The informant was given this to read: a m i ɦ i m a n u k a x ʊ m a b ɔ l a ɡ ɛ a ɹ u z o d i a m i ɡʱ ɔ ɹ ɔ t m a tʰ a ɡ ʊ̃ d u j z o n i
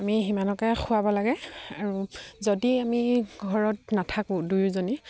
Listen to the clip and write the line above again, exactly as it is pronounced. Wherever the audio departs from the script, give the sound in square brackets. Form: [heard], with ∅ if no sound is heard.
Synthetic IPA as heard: a m i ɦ i m a n [ɔ] k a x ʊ [∅] a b ɔ l a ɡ ɛ a ɹ u z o d i a m i ɡʱ ɔ ɹ ɔ t [n] a tʰ a [k] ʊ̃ d u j z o n i